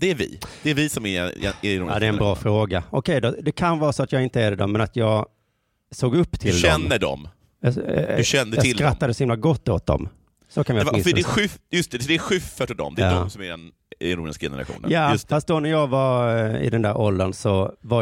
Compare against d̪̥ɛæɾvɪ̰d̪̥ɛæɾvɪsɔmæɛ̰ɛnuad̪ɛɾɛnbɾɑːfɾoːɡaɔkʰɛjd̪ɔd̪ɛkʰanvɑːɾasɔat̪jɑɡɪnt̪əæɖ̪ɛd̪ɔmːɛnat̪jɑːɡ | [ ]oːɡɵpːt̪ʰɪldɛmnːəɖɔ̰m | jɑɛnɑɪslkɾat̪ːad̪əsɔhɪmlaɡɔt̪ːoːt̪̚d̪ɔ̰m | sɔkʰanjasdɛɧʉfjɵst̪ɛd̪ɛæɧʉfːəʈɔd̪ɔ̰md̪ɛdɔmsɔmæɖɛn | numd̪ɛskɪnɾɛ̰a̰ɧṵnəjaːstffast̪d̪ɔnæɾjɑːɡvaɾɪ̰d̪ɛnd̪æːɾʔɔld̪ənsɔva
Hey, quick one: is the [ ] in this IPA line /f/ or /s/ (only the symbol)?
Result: s